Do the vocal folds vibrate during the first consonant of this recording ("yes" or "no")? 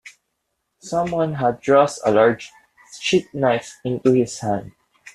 no